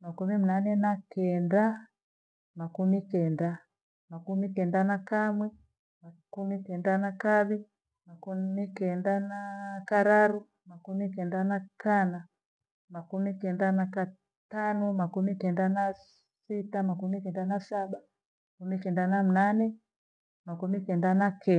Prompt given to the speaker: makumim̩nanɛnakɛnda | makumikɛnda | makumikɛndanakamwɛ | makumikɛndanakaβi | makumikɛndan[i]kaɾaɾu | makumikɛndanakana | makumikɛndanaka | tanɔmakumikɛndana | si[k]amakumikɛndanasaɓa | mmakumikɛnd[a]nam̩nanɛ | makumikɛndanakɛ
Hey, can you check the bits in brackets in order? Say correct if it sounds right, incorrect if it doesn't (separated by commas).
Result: incorrect, incorrect, correct